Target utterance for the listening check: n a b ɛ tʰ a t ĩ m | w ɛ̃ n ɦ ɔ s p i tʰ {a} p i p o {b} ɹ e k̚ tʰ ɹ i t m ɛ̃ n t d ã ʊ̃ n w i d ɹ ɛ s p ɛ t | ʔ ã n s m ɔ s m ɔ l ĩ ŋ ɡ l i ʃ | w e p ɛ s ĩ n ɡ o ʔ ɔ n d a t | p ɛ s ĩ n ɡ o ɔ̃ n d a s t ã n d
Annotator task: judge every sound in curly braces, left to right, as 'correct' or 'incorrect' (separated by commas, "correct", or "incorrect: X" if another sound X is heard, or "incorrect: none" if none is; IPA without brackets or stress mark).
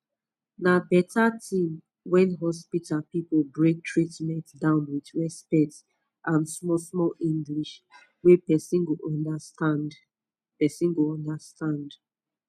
correct, correct